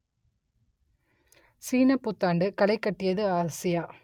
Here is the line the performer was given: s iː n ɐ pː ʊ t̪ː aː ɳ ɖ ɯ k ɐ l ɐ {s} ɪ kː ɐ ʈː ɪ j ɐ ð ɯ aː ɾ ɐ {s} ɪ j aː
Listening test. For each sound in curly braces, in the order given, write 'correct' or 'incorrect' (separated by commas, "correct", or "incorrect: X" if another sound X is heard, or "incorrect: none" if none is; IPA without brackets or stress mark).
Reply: incorrect: none, correct